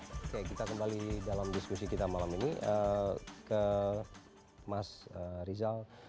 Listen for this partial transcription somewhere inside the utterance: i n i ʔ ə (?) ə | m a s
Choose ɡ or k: k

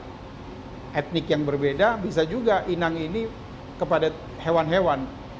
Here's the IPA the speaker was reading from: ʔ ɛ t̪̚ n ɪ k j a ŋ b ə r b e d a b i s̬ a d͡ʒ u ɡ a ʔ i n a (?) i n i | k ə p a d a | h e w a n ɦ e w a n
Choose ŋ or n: ŋ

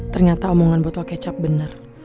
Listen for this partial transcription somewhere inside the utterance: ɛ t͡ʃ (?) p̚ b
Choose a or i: a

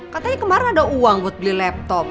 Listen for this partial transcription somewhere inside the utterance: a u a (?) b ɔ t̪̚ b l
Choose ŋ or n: ŋ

